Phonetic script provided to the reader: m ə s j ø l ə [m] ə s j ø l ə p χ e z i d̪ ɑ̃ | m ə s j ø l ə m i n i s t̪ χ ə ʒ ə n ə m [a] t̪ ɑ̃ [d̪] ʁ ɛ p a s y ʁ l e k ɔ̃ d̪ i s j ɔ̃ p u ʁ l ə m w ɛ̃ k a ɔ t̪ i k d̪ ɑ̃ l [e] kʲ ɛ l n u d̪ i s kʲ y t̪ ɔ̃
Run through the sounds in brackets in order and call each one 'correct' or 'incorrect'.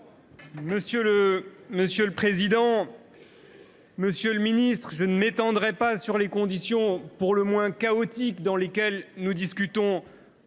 correct, incorrect: e, correct, correct

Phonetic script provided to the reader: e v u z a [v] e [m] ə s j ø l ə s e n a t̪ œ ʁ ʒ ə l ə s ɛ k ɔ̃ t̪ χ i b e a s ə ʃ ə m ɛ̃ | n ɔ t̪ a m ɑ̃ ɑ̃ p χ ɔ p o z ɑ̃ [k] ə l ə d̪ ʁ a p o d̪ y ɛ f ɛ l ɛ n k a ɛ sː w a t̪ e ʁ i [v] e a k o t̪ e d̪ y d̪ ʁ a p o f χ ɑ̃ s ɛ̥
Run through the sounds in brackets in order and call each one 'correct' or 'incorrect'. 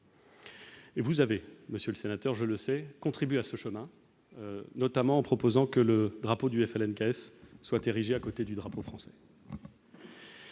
correct, correct, correct, incorrect: ʒ

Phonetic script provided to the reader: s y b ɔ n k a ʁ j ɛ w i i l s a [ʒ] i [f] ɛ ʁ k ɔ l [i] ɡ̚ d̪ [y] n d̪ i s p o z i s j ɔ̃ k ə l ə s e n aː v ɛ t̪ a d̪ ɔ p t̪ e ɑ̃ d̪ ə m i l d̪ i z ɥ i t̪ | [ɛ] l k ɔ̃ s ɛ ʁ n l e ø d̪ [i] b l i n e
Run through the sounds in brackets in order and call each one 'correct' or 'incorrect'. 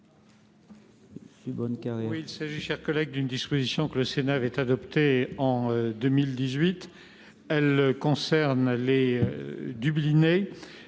correct, incorrect: ʃ, incorrect: ɛ, correct, correct, incorrect: y

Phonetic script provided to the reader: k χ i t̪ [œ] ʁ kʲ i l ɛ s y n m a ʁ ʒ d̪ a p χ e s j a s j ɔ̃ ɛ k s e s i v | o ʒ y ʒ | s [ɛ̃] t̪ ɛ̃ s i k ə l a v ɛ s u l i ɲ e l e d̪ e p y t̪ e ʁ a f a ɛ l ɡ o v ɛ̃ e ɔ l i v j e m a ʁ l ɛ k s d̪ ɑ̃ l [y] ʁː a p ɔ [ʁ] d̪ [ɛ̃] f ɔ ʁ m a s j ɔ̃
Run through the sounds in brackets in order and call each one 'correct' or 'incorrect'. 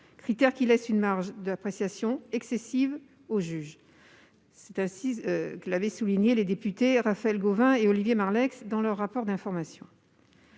incorrect: ɛ, incorrect: ɛ, incorrect: œ, correct, correct

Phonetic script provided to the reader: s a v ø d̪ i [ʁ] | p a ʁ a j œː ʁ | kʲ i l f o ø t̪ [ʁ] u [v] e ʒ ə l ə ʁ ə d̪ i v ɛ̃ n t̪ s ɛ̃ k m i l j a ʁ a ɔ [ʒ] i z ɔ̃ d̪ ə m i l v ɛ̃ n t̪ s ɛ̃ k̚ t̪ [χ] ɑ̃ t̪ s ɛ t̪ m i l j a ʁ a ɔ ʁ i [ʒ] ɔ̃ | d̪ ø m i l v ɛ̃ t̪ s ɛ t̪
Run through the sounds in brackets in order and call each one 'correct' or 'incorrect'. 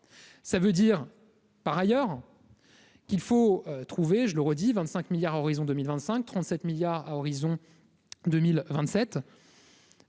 correct, incorrect: χ, correct, incorrect: ʁ, correct, incorrect: z

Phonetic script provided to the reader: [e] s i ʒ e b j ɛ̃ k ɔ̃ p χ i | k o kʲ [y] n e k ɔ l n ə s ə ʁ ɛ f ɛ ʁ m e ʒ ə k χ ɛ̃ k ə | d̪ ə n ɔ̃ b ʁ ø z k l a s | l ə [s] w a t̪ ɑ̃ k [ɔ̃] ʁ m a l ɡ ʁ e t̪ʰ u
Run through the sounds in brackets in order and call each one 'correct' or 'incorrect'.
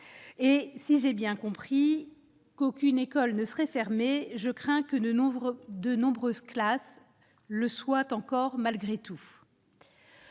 correct, correct, correct, incorrect: ɔ

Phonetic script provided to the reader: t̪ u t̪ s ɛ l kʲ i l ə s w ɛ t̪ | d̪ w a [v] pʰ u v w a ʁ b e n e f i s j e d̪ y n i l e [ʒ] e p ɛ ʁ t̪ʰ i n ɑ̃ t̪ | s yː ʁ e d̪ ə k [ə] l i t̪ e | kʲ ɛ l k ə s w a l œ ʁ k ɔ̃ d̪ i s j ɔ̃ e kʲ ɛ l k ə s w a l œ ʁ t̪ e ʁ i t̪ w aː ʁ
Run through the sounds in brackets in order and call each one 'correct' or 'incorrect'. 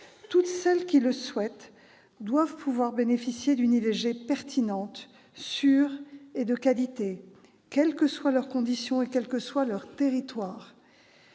correct, correct, incorrect: a

